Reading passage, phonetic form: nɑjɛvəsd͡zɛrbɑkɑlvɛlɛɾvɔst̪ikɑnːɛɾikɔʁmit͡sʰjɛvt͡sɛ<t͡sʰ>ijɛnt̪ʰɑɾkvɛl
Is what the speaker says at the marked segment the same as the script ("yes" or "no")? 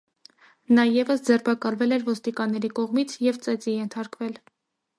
no